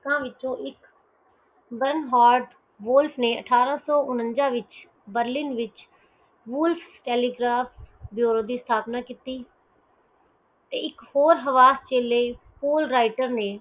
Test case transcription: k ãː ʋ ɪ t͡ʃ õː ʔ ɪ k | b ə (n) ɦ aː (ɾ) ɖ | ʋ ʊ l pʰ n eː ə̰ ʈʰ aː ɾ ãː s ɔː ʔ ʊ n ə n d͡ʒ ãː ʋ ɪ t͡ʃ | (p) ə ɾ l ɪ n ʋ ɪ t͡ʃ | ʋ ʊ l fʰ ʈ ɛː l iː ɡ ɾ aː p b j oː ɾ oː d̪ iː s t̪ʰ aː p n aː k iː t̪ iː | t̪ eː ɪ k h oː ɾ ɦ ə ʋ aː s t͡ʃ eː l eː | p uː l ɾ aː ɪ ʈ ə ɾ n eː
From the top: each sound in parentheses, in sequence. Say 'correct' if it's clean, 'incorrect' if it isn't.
correct, correct, incorrect

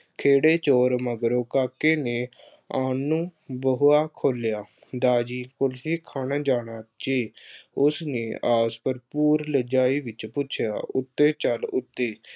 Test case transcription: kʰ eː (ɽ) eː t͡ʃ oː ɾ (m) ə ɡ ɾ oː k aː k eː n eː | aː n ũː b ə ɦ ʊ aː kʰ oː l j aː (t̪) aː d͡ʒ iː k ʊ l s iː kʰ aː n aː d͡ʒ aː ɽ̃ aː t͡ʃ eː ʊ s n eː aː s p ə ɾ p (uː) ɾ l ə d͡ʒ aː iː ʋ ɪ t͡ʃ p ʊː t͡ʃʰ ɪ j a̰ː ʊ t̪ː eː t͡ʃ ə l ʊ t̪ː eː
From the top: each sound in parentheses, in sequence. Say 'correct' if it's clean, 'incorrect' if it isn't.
correct, correct, incorrect, correct

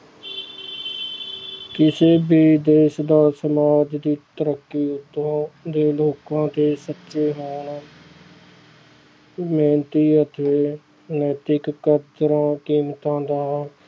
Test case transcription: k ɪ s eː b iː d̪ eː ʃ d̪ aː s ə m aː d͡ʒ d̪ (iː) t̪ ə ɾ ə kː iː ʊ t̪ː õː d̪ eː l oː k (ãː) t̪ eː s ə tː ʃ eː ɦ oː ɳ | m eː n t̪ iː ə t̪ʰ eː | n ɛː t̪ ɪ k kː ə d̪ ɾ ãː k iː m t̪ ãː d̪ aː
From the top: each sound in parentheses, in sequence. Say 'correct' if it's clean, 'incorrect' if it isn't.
correct, correct

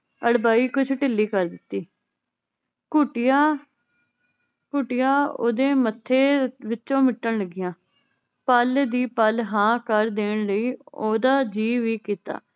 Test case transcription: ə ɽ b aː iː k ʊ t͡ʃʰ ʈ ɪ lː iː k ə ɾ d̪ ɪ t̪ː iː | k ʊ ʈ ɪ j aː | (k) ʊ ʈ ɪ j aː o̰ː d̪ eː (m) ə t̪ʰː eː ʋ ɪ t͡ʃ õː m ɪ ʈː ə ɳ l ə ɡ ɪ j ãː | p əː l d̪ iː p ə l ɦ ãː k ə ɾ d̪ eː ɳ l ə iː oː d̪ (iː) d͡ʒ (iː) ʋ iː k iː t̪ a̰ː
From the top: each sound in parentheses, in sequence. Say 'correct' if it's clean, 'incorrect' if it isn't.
correct, correct, incorrect, correct

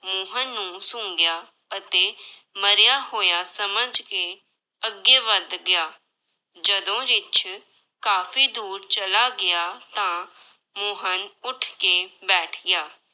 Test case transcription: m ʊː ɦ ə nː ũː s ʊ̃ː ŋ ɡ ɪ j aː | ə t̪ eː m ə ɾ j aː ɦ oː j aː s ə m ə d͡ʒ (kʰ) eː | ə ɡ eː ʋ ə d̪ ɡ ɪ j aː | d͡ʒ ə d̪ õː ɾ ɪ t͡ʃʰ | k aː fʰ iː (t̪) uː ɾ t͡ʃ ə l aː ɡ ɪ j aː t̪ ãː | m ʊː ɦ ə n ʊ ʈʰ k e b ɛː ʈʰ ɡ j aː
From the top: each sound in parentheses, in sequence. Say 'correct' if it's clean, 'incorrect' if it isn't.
incorrect, incorrect

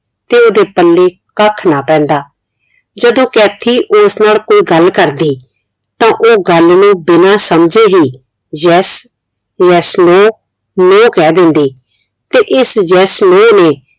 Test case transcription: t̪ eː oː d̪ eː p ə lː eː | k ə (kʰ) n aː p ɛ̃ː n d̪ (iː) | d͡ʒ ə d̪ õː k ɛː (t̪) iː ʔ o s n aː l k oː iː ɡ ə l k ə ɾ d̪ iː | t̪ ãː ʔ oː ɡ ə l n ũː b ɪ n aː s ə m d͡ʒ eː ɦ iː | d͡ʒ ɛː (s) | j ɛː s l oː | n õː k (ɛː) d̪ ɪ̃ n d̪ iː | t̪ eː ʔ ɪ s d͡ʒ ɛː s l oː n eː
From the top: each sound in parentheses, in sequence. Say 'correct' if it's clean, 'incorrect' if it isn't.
correct, incorrect, incorrect, correct, correct

